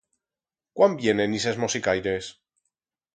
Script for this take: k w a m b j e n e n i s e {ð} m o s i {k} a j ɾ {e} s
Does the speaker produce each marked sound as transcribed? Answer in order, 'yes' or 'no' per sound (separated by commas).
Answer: no, yes, yes